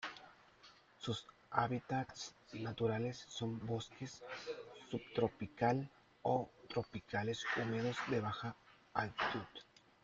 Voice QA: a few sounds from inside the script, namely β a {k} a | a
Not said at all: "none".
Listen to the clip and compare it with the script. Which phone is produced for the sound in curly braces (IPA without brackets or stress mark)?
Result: x